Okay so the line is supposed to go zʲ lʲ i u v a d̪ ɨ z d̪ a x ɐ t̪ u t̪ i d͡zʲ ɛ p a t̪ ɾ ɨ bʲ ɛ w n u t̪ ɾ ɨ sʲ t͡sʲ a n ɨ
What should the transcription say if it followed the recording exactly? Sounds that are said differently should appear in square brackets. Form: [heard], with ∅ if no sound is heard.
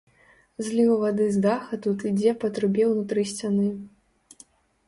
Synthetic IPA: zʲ lʲ i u v a d̪ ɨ z d̪ a x ɐ t̪ u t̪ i d͡zʲ ɛ p [ɐ] t̪ ɾ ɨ bʲ ɛ w n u t̪ ɾ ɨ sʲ t͡sʲ a n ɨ